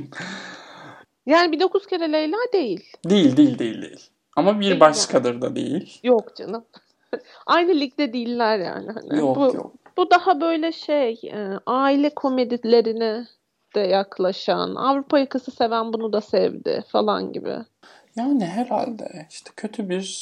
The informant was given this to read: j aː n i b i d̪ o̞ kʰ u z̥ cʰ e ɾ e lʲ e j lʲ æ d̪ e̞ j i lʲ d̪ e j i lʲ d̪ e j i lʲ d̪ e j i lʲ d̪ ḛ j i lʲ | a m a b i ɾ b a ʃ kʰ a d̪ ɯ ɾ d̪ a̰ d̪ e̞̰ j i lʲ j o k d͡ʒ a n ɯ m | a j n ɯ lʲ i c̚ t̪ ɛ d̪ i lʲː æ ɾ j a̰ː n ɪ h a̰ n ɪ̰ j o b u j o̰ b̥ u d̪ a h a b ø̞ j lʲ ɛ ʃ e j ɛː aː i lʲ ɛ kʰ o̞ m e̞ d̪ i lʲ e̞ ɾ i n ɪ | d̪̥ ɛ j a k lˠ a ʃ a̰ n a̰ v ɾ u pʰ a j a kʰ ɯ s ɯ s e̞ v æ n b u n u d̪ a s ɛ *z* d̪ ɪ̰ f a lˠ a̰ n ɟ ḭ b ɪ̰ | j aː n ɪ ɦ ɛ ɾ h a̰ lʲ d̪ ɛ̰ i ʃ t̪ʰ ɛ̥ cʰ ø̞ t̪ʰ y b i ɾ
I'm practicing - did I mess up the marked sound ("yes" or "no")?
yes